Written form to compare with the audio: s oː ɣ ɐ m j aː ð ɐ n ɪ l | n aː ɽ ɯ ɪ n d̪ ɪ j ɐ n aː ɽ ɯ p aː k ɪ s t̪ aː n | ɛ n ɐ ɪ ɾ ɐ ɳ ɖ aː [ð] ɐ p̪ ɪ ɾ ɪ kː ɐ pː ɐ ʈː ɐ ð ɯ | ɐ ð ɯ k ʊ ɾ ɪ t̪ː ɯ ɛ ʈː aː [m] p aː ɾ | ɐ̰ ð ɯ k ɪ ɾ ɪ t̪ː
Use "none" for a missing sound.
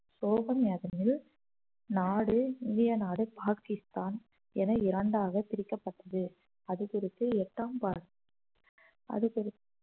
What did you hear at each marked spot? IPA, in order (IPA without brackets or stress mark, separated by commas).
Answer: ɣ, m